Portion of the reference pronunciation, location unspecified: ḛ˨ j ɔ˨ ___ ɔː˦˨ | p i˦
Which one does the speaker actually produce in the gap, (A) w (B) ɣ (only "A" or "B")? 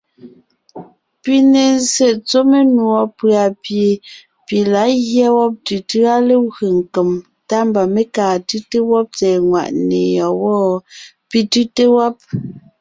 A